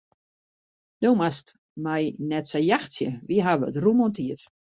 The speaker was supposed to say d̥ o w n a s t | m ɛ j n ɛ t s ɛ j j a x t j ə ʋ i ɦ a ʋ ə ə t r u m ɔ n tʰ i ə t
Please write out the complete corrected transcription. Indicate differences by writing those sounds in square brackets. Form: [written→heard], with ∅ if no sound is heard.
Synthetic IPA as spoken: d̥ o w [n→m] a s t | m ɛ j n ɛ t s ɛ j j a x [t→s] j ə ʋ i ɦ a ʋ ə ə t r u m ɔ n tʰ i ə t

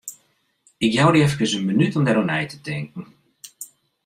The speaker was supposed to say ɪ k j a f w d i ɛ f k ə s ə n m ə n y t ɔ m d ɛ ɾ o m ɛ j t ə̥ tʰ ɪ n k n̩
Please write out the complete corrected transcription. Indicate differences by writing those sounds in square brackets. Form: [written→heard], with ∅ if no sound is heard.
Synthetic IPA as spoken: ɪ k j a [f→∅] w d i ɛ f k ə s ə n m ə n y t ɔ m d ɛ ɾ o [m→n] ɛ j t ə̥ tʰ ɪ [n→ŋ] k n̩

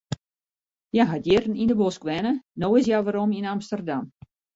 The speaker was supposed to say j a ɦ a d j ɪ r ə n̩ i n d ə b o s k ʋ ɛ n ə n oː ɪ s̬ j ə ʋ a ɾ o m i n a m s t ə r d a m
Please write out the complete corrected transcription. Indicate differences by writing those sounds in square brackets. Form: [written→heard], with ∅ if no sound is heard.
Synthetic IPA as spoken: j a ɦ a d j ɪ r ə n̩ i n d ə b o s k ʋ ɛ n ə n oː ɪ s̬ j [ə→a] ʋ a ɾ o m i n a m s t ə r d a m

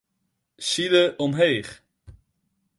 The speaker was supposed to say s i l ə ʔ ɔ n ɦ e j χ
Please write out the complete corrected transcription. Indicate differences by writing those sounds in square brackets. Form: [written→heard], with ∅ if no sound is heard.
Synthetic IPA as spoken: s i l ə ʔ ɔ [n→m] ɦ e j χ

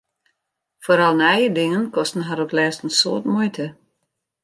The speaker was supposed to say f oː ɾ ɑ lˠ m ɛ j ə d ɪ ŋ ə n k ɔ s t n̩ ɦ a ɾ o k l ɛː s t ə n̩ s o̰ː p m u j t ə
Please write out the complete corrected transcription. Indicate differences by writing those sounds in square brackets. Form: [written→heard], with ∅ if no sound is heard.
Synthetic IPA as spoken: f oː ɾ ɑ lˠ [m→n] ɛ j ə d ɪ ŋ ə n k ɔ s t n̩ ɦ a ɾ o k l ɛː s t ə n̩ s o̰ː [p→t] m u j t ə

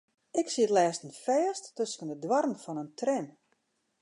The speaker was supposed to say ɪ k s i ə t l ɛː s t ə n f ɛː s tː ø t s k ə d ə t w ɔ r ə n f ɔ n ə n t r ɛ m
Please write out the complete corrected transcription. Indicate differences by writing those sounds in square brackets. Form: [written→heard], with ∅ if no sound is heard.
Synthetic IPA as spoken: ɪ k s i ə t l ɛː s t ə n f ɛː s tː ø [t→∅] s k ə [d→n] ə [t→d] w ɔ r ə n f ɔ n ə n t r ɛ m

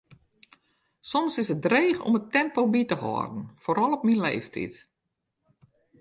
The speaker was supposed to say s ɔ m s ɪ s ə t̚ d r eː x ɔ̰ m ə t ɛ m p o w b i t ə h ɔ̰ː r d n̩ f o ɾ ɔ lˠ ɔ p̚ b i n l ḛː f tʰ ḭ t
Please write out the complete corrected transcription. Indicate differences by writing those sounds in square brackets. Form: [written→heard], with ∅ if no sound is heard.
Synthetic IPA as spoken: s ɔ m s ɪ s ə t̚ d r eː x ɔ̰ m ə t ɛ m p o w b i t ə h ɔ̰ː r d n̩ f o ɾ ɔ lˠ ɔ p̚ [b→m] i n l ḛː f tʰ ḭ t

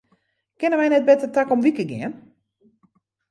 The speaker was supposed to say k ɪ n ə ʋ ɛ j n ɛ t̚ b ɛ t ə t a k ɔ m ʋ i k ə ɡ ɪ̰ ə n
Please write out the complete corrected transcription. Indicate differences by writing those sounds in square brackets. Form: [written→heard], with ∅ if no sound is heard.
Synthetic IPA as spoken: k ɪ n ə ʋ ɛ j n ɛ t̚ b ɛ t ə t a k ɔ m ʋ i k ə ɡ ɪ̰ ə n

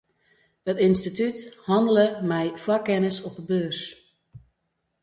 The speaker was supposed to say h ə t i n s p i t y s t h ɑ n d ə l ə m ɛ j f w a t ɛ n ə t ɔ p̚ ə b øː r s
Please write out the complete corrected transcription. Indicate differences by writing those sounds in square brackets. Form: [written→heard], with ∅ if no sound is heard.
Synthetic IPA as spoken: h ə t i n s [p→t] i t y [s→∅] t h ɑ n d ə l ə m ɛ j f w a [t→k] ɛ n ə [t→s] ɔ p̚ ə b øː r s

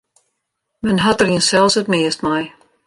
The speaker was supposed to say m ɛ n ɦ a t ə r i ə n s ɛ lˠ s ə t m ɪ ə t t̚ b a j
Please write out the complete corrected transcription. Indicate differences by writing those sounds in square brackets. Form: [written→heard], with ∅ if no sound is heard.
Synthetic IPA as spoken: m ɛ n ɦ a t ə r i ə n s ɛ lˠ s ə t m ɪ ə [t→s] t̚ [b→m] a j

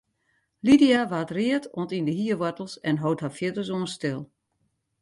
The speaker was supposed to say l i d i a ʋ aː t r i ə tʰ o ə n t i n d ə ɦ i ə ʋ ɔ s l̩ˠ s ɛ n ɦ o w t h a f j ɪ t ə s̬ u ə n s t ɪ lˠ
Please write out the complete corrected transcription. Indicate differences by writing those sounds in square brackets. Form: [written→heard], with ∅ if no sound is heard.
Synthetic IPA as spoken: l i d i a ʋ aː t r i ə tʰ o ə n t i n d ə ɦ i ə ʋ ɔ [s→t] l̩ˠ s ɛ n ɦ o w t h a f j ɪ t ə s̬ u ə n s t ɪ lˠ

